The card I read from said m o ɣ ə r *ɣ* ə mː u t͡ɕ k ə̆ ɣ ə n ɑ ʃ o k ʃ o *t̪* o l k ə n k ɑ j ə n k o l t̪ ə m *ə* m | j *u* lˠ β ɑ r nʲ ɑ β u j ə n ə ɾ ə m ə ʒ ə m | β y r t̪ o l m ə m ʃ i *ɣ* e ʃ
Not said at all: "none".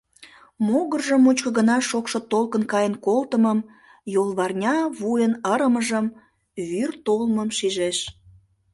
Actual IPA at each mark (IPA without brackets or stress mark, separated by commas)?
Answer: ʒ, t̪, ə, o, ʒ